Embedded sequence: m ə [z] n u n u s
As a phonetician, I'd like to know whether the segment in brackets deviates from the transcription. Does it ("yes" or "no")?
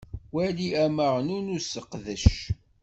yes